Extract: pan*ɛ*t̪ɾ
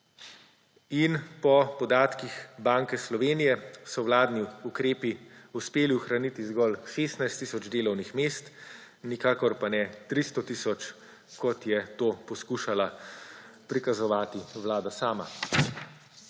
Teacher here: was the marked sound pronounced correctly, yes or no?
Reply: yes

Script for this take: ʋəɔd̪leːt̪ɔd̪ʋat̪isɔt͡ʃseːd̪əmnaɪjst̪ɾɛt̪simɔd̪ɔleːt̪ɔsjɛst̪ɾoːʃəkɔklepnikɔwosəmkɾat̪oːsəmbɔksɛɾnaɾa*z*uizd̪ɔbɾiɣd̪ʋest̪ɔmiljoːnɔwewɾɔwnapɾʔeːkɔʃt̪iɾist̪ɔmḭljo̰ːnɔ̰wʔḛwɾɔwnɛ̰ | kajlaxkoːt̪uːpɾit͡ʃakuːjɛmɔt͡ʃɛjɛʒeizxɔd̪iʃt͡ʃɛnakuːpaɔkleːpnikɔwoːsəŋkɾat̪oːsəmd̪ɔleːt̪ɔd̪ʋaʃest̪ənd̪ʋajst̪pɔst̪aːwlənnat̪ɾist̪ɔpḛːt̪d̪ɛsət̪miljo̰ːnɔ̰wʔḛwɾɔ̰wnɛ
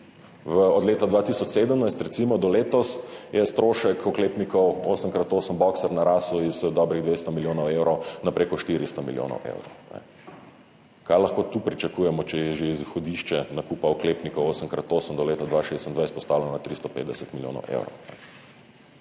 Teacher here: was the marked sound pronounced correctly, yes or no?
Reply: no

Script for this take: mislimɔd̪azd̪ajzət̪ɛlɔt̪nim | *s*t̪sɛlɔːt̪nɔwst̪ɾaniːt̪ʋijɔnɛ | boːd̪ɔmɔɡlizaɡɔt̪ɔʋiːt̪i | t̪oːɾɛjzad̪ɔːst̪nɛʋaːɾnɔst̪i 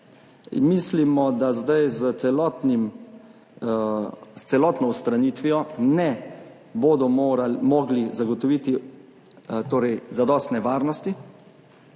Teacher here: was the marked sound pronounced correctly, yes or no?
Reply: yes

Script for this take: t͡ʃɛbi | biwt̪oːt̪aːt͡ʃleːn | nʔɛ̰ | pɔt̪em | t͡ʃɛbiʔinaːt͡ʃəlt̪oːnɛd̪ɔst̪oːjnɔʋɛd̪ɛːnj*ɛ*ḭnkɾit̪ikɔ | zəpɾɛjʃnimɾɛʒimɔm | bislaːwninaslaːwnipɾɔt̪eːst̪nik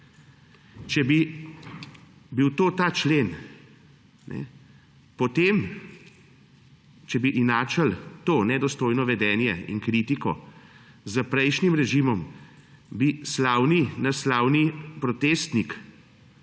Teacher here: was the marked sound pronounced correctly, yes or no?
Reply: yes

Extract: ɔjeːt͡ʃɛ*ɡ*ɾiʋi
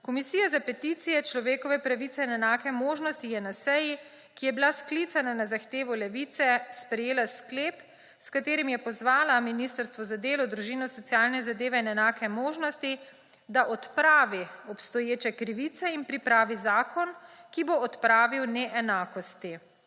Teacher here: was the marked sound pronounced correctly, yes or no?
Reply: no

